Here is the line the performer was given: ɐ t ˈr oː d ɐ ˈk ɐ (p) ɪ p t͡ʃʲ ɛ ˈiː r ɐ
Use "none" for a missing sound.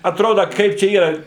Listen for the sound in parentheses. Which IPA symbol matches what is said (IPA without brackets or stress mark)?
none